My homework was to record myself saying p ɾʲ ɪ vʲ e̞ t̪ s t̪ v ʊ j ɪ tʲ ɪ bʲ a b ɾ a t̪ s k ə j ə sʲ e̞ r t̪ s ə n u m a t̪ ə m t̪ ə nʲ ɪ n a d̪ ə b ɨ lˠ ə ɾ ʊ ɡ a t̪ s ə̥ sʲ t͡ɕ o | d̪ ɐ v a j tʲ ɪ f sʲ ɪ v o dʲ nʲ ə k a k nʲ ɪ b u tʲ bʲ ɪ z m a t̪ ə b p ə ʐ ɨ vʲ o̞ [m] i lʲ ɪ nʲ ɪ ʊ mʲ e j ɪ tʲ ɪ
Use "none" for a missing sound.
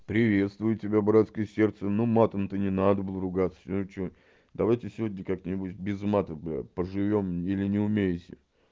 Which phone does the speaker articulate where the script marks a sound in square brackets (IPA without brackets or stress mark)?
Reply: m